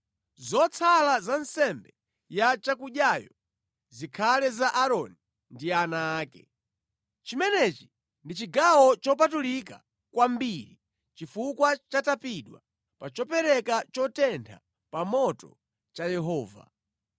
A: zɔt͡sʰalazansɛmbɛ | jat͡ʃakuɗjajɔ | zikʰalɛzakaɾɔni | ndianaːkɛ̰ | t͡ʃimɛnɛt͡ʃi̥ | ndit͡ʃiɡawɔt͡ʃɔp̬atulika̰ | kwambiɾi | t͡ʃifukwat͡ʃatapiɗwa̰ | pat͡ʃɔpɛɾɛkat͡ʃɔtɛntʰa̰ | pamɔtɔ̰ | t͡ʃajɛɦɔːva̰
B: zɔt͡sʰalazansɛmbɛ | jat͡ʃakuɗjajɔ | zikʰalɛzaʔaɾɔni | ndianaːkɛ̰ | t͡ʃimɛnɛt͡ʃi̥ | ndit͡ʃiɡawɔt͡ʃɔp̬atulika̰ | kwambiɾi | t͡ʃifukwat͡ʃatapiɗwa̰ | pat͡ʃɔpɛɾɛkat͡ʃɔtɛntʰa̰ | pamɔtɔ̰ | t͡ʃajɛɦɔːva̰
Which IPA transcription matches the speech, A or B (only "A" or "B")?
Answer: B